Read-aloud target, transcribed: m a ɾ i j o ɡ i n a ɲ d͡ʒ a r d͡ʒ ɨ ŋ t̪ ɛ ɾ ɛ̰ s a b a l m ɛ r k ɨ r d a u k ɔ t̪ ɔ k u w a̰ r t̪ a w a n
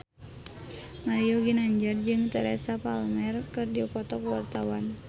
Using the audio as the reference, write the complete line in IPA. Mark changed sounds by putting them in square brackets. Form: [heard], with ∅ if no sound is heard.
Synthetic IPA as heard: m a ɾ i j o ɡ i n a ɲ d͡ʒ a r d͡ʒ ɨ ŋ t̪ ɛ ɾ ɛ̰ s a [p] a l m ɛ r k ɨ r d [i] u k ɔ t̪ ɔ k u w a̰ r t̪ a w a n